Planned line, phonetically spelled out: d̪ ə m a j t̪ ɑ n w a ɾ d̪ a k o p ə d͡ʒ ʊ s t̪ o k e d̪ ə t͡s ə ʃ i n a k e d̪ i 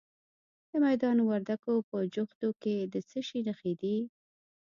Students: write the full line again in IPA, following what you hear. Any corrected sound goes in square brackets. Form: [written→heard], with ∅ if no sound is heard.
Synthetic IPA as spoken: d̪ ə m a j [t̪→d̪] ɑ n w a ɾ d̪ a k o p ə d͡ʒ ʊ [s→x] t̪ o k e d̪ ə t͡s ə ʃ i n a [k→x] e d̪ i